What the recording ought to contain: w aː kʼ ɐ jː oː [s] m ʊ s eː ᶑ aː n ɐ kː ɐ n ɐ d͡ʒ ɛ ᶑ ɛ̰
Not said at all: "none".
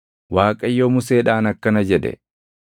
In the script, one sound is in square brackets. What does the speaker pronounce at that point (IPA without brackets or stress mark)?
none